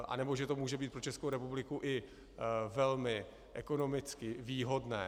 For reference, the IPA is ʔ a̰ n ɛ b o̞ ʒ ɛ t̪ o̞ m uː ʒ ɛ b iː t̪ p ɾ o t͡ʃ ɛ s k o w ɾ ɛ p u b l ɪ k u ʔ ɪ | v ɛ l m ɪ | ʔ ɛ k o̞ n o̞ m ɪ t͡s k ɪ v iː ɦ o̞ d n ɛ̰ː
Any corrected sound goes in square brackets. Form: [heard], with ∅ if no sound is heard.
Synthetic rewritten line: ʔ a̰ n ɛ b o̞ ʒ ɛ t̪ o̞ m uː ʒ ɛ b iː t̪ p ɾ o t͡ʃ ɛ s k o w ɾ ɛ p u b l ɪ k u ʔ ɪ | v ɛ l m ɪ | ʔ ɛ k o̞ n o̞ m ɪ t͡s k ɪ v iː ɦ o̞ d n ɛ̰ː